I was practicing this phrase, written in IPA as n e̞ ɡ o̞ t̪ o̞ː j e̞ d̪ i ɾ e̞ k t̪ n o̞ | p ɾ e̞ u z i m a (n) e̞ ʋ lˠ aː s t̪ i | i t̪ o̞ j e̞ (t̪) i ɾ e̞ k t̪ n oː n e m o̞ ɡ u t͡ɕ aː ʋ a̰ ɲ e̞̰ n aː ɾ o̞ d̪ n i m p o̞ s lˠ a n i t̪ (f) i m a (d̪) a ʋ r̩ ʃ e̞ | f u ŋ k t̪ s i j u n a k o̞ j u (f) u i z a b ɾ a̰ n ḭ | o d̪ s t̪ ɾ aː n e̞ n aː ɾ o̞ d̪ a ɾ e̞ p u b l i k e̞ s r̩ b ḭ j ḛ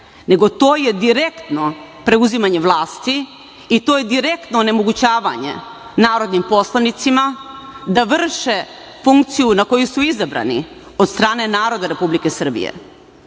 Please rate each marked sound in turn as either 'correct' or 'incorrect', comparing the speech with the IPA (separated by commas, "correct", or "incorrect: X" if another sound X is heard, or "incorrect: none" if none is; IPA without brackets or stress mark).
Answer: incorrect: ɲ, incorrect: d̪, incorrect: s, correct, incorrect: s